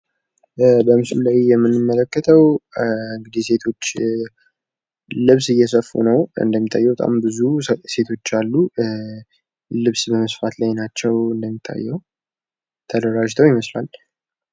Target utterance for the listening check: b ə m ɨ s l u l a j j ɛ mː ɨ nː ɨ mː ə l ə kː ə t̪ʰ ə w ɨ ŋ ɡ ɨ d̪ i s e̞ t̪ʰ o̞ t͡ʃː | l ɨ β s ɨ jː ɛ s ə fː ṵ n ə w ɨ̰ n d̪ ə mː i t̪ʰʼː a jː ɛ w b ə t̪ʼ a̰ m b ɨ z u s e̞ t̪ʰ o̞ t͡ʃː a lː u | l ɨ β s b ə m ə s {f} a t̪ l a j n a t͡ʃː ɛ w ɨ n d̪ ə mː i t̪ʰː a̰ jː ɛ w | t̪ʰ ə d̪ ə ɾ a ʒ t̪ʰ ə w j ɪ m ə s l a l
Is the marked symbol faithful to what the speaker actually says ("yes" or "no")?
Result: yes